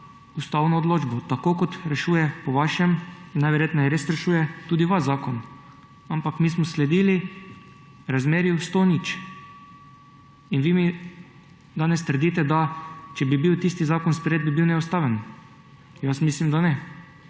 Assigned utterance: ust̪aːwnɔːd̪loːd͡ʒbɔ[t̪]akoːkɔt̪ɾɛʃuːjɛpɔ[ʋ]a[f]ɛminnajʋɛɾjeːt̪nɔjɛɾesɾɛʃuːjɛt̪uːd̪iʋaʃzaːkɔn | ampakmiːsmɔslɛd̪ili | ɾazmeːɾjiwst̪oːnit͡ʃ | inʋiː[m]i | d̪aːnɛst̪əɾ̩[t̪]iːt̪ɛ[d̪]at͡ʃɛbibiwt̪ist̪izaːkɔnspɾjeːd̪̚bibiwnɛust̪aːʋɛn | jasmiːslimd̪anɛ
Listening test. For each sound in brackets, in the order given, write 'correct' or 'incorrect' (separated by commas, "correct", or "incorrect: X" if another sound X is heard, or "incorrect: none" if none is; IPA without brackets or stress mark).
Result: correct, correct, incorrect: ʃ, correct, incorrect: d̪, correct